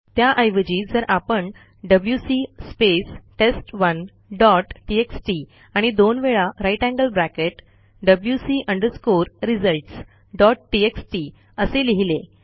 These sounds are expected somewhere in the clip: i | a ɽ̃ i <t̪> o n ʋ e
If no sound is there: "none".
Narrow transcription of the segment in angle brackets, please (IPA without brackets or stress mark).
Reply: d̪